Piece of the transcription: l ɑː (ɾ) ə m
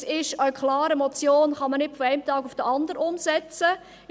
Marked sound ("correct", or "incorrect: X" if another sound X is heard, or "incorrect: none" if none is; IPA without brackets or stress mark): correct